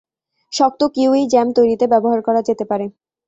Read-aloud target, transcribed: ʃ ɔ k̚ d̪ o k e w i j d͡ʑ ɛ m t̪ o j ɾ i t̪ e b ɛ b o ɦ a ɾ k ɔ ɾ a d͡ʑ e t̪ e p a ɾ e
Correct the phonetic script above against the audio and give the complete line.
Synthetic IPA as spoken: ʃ ɔ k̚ t̪ o k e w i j d͡ʑ ɛ m t̪ o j ɾ i t̪ e b ɛ b o ɦ a ɾ k ɔ ɾ a d͡ʑ e t̪ e p a ɾ e